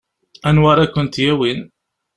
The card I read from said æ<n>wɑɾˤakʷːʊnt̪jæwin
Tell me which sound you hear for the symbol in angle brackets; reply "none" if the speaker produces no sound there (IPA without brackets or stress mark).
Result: n